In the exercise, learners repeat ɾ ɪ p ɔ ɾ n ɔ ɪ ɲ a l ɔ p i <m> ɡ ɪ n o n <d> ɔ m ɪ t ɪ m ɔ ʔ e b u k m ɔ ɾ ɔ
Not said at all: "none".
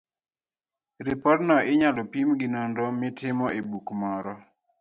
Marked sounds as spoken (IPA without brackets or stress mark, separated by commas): m, d